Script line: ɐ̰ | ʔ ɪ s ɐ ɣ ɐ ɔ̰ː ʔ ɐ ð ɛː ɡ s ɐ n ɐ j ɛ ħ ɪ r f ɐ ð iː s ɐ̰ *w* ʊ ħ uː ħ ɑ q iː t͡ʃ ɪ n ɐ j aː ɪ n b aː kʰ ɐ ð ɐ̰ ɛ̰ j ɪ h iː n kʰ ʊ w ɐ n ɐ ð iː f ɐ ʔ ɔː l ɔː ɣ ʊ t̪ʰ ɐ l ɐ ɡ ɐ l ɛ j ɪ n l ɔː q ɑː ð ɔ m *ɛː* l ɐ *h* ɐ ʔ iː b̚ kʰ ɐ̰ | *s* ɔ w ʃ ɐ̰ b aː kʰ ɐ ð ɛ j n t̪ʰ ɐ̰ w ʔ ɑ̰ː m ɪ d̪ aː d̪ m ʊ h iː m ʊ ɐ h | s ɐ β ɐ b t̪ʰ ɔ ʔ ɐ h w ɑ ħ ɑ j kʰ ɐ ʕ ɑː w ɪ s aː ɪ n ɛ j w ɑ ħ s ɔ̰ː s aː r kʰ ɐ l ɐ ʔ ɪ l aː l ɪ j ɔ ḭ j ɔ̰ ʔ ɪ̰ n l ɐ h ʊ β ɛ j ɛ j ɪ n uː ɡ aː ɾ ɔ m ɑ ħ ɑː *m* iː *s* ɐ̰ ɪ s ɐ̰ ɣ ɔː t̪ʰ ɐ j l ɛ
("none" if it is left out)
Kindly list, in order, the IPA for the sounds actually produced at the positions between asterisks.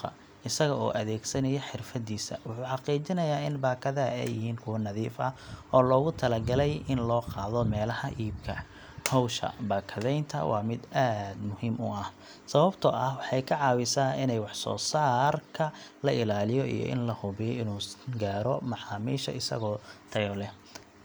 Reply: w, ɛː, h, h, m, ʃ

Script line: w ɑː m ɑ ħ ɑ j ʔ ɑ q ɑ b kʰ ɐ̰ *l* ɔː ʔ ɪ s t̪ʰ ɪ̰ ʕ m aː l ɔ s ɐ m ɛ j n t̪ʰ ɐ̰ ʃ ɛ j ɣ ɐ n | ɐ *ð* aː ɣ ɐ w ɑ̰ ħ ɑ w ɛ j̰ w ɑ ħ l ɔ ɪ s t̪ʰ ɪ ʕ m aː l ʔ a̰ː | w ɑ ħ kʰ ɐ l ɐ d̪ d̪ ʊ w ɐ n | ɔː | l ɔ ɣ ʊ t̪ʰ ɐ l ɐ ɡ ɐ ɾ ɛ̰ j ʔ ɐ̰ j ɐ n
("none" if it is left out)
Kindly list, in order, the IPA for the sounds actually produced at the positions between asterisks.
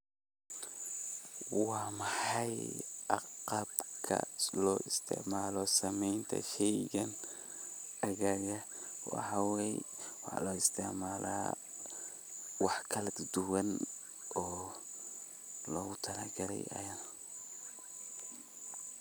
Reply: l, ɣ

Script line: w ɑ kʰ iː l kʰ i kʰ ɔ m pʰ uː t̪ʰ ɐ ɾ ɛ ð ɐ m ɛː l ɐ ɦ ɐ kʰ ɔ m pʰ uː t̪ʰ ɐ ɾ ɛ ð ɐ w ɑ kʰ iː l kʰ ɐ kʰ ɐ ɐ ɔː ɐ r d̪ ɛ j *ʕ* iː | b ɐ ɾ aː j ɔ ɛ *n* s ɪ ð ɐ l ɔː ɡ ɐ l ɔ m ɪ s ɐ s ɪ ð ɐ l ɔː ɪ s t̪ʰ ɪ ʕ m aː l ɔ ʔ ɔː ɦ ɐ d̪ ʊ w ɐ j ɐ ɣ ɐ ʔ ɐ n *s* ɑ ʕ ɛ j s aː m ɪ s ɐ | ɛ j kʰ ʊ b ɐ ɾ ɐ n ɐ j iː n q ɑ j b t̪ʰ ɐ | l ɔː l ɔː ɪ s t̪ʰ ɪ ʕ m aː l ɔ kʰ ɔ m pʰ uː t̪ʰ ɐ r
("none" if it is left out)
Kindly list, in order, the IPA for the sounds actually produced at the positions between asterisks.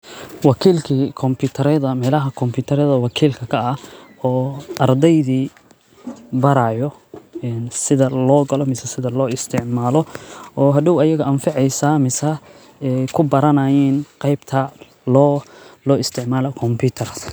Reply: ð, n, f

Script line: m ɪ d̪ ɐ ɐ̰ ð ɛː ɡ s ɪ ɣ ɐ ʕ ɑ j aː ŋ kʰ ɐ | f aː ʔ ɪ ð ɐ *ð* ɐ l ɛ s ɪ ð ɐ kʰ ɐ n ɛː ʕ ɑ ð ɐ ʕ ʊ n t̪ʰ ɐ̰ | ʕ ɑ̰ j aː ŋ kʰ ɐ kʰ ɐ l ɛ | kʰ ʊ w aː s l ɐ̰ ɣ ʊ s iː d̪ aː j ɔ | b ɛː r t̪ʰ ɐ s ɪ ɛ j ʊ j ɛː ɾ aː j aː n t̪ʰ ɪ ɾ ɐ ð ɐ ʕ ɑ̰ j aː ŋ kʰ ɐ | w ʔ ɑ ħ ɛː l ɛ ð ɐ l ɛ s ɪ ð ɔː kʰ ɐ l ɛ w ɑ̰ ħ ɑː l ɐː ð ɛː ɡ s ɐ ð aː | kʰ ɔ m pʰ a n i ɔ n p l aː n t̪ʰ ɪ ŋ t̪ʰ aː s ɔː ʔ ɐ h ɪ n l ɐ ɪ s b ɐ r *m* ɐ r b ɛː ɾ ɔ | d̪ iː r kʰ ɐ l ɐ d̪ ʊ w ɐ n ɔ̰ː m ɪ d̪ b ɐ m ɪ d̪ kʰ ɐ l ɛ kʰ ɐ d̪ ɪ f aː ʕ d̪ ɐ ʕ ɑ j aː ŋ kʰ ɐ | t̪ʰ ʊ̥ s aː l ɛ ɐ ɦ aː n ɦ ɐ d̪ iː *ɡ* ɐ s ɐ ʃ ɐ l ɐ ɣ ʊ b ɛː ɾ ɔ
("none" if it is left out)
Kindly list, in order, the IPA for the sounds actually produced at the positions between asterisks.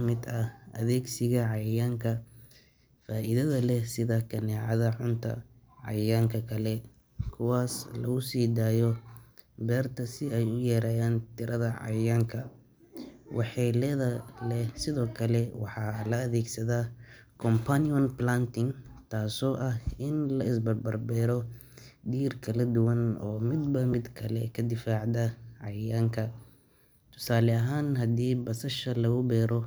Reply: ð, b, b

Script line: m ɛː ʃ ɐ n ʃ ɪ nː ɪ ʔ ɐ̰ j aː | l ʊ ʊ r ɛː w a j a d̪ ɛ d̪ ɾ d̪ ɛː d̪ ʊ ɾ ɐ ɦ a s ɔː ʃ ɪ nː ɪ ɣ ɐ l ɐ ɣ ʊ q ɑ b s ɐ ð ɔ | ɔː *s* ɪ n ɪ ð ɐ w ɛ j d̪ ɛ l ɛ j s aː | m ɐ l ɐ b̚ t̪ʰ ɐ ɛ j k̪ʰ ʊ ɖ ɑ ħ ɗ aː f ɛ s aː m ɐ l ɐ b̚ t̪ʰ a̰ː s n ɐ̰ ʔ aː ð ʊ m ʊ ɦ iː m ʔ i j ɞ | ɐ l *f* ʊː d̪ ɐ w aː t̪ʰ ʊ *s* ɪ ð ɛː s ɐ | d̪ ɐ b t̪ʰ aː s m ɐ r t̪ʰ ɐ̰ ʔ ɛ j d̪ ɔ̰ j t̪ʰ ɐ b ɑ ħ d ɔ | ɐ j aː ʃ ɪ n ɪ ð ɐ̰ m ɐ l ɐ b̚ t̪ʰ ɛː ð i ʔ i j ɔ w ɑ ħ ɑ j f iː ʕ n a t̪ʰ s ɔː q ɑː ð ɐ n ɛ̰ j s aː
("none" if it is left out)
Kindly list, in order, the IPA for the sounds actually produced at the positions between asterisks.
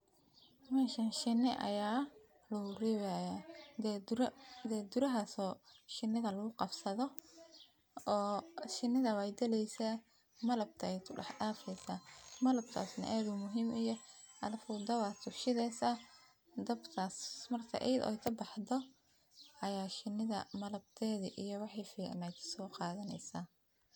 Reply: ʃ, f, ʃ

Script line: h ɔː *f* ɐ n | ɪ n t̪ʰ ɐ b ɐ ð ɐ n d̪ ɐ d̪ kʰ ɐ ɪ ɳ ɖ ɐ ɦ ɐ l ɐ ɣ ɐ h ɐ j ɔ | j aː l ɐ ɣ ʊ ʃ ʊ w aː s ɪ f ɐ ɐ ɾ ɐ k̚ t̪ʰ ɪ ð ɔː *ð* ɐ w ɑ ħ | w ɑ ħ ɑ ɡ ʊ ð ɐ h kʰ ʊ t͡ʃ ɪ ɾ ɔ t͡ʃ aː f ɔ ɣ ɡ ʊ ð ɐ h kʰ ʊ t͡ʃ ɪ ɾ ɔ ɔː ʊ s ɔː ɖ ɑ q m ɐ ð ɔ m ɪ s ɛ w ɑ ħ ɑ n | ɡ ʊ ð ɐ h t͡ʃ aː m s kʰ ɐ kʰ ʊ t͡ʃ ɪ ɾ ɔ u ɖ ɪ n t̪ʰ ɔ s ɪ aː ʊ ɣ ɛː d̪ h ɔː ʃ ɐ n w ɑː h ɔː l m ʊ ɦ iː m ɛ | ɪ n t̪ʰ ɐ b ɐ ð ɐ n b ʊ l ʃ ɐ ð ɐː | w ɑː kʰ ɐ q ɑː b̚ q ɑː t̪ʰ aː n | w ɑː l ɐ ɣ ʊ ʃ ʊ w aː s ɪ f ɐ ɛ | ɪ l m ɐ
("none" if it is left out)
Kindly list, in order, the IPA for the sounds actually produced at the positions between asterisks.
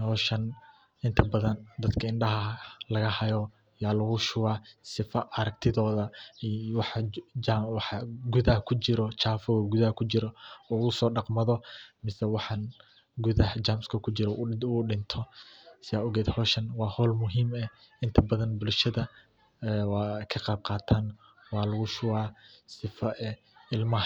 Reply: ʃ, ð

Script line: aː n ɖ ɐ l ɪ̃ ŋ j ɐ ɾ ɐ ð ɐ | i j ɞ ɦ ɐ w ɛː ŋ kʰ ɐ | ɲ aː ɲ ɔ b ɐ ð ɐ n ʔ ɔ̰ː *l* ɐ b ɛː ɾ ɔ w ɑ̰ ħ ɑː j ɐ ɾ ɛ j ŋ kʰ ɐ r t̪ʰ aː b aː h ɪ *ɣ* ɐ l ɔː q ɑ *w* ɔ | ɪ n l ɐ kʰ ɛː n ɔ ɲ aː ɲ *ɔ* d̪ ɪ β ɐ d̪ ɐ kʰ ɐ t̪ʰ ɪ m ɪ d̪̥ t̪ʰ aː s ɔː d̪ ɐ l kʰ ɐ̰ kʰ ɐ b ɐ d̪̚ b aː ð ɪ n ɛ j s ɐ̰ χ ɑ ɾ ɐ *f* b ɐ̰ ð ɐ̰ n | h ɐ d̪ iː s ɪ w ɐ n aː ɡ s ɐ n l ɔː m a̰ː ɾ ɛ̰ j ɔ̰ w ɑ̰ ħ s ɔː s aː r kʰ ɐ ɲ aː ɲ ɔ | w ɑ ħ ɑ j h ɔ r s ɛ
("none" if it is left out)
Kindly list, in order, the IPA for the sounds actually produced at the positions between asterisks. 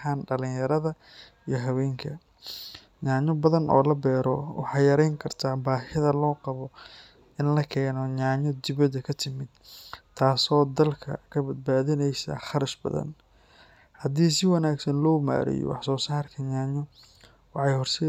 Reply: l, ð, β, ɔ, ʃ

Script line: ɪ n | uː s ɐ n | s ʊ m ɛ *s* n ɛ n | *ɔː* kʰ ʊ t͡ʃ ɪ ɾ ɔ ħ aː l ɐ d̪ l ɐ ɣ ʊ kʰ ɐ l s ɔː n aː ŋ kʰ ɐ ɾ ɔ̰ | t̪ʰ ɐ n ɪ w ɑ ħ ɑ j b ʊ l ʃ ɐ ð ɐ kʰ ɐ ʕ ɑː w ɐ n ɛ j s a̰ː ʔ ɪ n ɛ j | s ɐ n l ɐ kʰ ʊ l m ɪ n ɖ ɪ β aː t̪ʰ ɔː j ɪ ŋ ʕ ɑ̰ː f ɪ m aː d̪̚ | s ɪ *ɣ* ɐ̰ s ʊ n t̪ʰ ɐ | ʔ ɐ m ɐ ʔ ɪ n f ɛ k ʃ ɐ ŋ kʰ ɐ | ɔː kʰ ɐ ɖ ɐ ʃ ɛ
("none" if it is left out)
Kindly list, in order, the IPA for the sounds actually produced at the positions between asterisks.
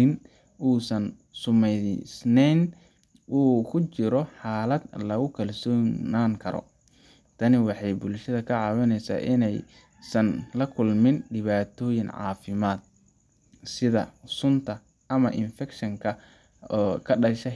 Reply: s, uː, ð

